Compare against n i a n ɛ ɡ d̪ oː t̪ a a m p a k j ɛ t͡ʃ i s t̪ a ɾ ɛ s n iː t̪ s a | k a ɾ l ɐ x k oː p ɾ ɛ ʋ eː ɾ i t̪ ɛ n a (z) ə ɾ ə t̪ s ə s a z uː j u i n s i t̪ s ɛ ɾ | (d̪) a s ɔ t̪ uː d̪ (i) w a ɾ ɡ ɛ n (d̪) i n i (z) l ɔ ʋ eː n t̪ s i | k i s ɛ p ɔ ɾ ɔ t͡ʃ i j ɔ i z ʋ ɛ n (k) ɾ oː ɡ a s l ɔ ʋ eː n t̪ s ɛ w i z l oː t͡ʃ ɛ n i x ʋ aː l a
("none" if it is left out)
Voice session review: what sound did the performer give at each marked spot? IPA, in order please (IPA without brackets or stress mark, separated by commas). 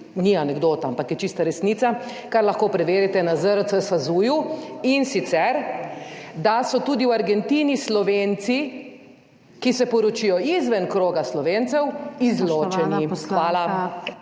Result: z, d̪, i, t̪, s, k